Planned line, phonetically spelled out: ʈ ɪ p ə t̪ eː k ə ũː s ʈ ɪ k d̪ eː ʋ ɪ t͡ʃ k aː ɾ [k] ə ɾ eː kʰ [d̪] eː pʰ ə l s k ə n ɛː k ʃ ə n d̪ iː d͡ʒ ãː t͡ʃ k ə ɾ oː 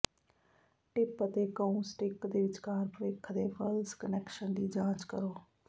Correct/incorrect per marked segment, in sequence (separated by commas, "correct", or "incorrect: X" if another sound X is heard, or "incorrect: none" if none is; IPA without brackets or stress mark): incorrect: p, correct